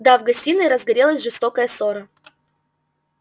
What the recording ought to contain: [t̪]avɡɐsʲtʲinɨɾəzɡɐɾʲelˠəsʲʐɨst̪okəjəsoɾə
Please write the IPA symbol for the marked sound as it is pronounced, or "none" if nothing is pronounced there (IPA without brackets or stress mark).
d̪